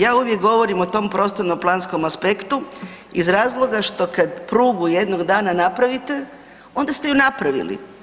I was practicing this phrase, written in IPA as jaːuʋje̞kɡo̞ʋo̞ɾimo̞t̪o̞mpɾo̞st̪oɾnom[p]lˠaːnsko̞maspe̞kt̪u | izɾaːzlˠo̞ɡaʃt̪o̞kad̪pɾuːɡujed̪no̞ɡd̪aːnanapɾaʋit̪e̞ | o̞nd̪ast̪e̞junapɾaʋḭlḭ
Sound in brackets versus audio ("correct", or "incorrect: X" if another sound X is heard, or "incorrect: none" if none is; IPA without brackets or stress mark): correct